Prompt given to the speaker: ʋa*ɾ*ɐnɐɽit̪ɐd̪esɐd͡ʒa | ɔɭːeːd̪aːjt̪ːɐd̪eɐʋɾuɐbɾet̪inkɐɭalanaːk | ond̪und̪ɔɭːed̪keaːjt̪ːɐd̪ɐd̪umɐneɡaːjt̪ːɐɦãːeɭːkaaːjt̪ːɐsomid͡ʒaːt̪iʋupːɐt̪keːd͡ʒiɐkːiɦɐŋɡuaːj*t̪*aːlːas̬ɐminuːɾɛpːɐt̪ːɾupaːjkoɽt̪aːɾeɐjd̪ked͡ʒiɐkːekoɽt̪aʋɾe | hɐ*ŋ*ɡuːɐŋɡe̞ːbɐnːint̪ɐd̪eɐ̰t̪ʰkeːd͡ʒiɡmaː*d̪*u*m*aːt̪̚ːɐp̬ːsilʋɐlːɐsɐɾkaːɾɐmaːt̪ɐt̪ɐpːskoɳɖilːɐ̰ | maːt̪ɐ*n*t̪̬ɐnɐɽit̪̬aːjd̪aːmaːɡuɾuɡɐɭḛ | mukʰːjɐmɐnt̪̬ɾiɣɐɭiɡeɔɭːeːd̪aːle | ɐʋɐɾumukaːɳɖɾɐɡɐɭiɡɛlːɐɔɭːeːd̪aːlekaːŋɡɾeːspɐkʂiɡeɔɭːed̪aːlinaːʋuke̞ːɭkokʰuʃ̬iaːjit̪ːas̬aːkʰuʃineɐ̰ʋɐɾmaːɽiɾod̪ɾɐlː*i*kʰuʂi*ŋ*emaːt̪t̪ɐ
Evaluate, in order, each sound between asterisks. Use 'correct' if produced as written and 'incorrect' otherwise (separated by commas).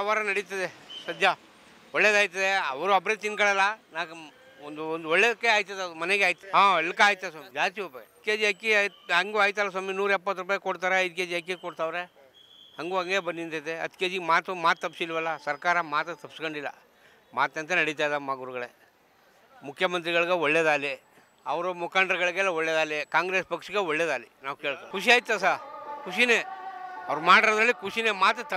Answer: correct, correct, correct, incorrect, correct, correct, correct, incorrect